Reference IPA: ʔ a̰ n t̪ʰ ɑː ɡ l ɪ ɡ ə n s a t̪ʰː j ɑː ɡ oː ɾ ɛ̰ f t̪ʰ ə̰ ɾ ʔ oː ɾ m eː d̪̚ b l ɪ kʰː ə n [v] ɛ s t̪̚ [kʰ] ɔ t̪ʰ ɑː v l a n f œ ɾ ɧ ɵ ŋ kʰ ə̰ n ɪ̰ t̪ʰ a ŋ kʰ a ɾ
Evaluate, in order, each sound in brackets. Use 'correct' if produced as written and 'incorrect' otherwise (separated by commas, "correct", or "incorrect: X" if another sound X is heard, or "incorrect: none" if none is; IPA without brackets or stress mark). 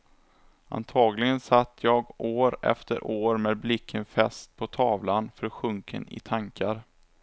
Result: incorrect: f, incorrect: pʰ